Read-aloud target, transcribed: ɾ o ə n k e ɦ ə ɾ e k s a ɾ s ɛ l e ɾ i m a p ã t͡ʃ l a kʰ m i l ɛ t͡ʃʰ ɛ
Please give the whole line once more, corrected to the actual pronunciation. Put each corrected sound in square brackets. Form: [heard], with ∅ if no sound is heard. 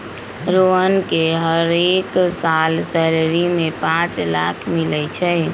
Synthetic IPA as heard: ɾ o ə n k e ɦ ə ɾ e k s a [l] s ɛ l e ɾ i m [e] p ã t͡ʃ l a kʰ m i l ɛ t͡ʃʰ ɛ